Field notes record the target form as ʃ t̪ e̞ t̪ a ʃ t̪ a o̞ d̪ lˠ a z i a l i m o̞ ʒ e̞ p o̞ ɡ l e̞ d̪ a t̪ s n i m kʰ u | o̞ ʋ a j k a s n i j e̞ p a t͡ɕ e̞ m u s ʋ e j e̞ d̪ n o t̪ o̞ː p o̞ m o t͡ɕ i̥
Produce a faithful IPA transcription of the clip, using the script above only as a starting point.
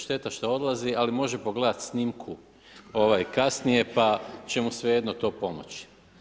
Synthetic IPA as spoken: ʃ t̪ e̞ t̪ a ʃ t̪ a o̞ d̪ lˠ a z i a l i m o̞ ʒ e̞ p o̞ ɡ l e̞ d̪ a t̪ s n i m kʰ u | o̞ ʋ a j k a s n i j e̞ p a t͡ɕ e̞ m u s ʋ e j e̞ d̪ n o t̪ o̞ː p o̞ m o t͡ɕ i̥